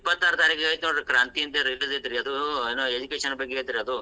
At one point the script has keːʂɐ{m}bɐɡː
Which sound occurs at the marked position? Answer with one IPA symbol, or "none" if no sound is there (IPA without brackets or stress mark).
n